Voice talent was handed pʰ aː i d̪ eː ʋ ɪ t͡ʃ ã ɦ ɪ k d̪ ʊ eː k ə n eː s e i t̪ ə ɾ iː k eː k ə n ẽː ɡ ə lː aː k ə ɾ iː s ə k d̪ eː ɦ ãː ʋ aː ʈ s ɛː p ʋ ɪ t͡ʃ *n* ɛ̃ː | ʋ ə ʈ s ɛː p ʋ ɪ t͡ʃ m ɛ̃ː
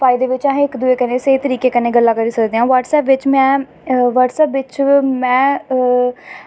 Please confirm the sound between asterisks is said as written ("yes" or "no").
no